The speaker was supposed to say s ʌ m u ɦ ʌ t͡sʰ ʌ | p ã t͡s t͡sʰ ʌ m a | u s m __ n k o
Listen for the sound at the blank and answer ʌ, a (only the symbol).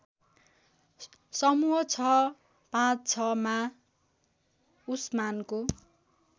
a